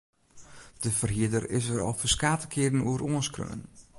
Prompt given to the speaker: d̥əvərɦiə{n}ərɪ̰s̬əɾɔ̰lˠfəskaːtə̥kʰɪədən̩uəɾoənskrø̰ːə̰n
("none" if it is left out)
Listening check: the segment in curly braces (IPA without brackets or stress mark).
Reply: d